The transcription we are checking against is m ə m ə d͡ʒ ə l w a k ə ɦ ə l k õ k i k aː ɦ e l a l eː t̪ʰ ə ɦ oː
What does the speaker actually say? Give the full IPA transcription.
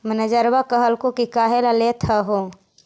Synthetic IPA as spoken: m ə n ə d͡ʒ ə ɾ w a k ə ɦ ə l k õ k i k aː ɦ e l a l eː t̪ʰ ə ɦ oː